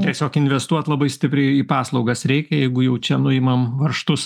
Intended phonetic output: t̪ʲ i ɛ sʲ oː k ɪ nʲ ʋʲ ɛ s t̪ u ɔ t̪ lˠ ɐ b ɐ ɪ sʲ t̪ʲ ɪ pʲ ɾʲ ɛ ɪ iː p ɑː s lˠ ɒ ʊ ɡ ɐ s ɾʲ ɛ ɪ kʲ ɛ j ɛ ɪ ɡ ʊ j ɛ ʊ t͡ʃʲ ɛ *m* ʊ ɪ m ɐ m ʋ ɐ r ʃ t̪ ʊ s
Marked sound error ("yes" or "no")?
yes